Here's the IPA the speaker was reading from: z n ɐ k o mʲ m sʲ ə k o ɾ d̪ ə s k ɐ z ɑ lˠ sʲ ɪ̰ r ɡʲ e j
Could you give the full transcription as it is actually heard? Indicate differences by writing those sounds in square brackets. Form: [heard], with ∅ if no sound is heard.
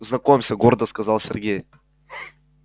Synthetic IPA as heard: z n ɐ k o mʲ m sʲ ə [ɡ] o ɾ d̪ ə s k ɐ z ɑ lˠ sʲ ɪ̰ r ɡʲ e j